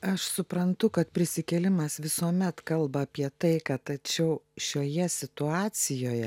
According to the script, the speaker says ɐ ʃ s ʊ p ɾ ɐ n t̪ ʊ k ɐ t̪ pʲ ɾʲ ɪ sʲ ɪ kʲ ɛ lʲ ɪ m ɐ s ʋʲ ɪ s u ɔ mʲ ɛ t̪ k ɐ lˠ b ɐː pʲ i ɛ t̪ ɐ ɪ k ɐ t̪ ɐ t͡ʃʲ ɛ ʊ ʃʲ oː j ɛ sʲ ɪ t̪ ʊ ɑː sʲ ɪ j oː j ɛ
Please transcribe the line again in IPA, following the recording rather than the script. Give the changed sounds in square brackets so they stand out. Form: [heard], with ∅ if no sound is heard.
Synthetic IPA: ɐ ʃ s ʊ p ɾ ɐ n t̪ ʊ k ɐ t̪ pʲ ɾʲ ɪ sʲ ɪ kʲ ɛ lʲ ɪ m ɐ s ʋʲ ɪ s u ɔ mʲ ɛ t̪ k ɐ lˠ b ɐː pʲ i ɛ t̪ ɐ ɪ k ɐ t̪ ɐ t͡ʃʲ ɛ ʊ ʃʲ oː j ɛ sʲ ɪ t̪ ʊ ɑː sʲ ɪ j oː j ɛ